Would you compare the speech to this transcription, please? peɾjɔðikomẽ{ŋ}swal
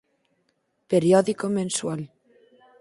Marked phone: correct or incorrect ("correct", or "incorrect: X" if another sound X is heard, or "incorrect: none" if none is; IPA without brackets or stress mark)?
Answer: incorrect: n